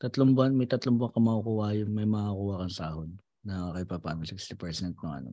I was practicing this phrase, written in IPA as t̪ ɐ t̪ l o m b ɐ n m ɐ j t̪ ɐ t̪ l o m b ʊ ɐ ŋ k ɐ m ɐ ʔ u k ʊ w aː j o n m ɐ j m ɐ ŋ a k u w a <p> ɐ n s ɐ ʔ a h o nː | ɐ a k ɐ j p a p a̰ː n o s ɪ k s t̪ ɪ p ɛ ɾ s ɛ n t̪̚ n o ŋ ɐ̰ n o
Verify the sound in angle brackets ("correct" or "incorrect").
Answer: incorrect